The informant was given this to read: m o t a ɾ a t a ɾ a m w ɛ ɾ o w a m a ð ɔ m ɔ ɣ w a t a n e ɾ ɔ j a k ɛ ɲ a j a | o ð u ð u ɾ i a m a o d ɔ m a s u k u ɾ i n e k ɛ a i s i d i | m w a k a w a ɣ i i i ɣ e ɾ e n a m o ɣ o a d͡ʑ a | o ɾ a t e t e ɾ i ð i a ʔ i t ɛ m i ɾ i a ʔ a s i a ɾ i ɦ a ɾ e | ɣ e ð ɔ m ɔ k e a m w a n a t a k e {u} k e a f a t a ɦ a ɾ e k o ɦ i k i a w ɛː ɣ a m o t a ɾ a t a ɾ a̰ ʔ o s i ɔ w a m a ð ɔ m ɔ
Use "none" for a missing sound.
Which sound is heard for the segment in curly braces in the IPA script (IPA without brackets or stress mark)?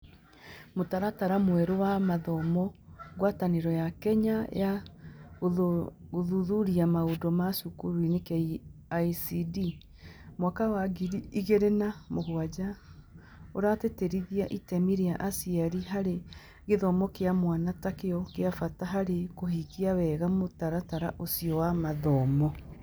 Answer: ɔ